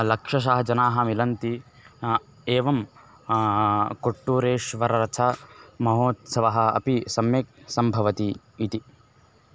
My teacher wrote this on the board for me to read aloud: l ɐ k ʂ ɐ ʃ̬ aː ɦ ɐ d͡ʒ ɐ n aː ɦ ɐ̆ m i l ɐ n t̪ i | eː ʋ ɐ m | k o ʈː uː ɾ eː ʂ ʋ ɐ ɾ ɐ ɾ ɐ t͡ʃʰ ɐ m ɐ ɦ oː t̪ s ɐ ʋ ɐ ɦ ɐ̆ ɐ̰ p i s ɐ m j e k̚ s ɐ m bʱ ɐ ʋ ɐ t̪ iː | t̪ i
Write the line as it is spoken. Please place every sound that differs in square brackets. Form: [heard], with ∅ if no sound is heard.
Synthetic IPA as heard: l ɐ k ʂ ɐ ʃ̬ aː ɦ ɐ d͡ʒ ɐ n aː ɦ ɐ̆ m i l ɐ n t̪ i | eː ʋ ɐ m | k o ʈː uː ɾ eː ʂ ʋ ɐ ɾ ɐ ɾ ɐ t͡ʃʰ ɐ m ɐ ɦ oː t̪ s ɐ ʋ ɐ ɦ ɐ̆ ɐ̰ p i s ɐ m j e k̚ s ɐ m bʱ ɐ ʋ ɐ t̪ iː | t̪ i